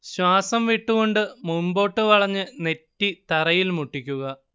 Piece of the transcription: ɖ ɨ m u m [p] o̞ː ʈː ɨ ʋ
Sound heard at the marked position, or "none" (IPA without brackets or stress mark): b